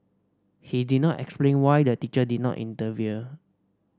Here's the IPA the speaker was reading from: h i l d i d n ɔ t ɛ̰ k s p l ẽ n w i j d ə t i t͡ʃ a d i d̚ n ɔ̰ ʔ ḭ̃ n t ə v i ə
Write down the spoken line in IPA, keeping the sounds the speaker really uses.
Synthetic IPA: h i d i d n ɔ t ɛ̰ k s p l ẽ n w a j d ə t i t͡ʃ ə d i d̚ n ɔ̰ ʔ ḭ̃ n t ə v i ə